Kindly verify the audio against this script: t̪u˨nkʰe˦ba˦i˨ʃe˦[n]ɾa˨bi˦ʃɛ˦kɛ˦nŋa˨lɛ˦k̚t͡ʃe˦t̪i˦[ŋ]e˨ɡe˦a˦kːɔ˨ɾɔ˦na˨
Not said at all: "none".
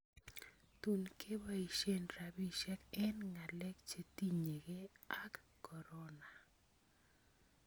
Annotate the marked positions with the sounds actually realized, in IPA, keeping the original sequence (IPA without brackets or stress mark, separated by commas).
n, ɲ